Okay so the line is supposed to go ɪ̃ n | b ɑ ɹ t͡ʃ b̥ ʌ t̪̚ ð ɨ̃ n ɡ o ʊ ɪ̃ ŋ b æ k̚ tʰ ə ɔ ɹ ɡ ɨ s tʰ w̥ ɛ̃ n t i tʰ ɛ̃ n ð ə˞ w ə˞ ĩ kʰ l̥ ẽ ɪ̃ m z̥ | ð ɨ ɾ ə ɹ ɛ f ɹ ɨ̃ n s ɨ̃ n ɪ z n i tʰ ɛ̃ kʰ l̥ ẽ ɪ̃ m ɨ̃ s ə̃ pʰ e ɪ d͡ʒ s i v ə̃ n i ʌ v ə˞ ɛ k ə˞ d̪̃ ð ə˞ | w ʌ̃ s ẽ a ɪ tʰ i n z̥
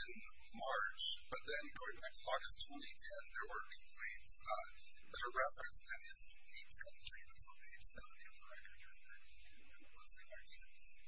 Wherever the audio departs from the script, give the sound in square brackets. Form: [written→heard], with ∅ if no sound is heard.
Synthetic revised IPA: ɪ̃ n | [b→m] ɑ ɹ t͡ʃ b̥ ʌ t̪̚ ð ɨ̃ n ɡ o ʊ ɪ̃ ŋ b æ k̚ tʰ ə ɔ ɹ ɡ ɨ s tʰ w̥ ɛ̃ n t i tʰ ɛ̃ n ð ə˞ w ə˞ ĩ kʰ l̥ ẽ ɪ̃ m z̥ | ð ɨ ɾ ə ɹ ɛ f ɹ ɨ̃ n s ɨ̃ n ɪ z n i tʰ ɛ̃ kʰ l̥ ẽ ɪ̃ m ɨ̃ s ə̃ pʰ e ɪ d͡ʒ s [i→ɛ] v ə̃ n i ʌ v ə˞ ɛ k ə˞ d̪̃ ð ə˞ | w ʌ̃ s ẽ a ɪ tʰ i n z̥